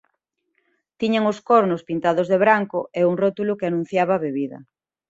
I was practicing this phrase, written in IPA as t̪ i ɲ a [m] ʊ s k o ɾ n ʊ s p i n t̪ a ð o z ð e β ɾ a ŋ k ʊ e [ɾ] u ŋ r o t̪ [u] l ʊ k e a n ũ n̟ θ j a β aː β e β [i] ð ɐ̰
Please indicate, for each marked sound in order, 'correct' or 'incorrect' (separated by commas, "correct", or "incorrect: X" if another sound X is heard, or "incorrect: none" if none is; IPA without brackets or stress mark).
incorrect: ŋ, incorrect: none, correct, correct